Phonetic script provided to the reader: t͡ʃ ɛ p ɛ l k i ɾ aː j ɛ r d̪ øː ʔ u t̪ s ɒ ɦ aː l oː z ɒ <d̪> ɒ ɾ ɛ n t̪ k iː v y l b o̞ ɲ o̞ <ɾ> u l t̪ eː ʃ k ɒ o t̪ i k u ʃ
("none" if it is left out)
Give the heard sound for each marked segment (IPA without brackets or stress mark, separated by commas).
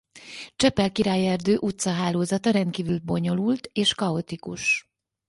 t̪, l